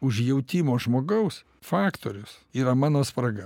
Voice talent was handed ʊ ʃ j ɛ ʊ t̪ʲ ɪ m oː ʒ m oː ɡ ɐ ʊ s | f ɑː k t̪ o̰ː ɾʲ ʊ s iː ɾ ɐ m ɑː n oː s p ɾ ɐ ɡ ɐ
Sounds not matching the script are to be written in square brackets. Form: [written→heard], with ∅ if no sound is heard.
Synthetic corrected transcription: ʊ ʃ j ɛ ʊ t̪ʲ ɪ m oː ʒ m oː ɡ ɐ ʊ s | f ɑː k t̪ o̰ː ɾʲ ʊ s iː ɾ ɐ m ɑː n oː s p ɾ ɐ ɡ ɐ